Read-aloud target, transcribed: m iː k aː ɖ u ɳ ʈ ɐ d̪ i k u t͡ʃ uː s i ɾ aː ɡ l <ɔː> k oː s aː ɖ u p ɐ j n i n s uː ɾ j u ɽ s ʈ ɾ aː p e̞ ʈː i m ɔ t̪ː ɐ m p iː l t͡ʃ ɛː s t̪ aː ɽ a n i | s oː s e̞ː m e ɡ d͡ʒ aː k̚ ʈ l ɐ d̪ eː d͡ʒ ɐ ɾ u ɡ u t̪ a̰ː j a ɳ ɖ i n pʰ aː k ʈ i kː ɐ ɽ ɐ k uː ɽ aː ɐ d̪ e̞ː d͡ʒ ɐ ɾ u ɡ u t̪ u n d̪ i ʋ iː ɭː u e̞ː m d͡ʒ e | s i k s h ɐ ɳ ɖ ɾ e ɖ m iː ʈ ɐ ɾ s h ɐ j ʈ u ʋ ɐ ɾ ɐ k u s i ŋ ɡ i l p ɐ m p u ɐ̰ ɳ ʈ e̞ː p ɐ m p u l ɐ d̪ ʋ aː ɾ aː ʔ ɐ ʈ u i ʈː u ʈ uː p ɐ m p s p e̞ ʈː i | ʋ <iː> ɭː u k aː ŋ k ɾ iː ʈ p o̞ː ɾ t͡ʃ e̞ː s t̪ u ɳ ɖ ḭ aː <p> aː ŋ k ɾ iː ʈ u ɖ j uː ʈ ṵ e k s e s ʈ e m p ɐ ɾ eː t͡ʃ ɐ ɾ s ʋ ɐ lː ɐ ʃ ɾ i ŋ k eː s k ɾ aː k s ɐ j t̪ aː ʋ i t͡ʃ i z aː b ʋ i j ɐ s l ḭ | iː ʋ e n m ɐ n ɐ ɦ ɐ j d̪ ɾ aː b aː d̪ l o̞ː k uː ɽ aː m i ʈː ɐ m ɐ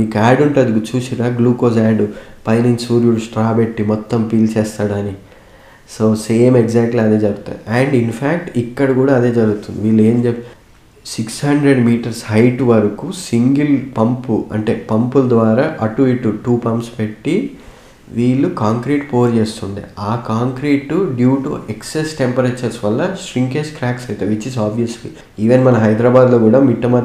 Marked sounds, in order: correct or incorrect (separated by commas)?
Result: incorrect, correct, incorrect